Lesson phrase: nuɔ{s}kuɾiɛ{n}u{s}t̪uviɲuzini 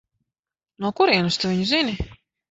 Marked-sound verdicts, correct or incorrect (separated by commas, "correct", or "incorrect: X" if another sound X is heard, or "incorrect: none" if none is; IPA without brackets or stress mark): incorrect: none, correct, correct